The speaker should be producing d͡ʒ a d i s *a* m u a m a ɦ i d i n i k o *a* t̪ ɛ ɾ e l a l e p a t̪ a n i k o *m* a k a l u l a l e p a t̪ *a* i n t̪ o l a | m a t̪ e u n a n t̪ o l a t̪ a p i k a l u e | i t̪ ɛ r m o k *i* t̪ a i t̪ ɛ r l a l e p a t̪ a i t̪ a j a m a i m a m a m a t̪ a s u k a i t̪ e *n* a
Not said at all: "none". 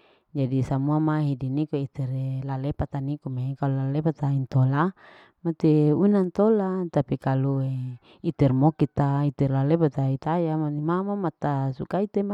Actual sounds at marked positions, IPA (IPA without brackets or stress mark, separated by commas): a, i, m, a, i, m